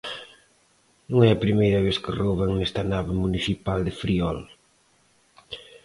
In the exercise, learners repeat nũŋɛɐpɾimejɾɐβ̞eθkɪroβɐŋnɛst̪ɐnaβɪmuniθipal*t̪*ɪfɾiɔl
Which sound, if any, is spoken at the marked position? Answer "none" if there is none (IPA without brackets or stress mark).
d̪